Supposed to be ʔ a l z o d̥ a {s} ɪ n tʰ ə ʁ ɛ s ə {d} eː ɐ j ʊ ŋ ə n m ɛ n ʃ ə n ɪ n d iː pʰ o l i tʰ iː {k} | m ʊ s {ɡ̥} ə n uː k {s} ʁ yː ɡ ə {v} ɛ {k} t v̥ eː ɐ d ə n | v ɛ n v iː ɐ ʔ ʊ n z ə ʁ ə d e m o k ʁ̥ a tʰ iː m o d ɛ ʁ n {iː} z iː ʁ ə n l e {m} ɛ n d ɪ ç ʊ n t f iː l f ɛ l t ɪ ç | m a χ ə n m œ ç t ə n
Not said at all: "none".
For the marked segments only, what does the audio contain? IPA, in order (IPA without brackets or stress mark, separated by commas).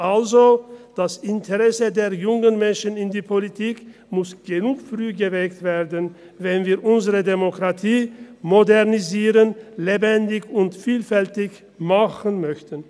s, d, k, ɡ̥, f, v, k, i, b